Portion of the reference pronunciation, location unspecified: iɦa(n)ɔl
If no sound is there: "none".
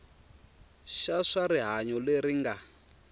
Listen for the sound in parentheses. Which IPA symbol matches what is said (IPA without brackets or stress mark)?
ɲ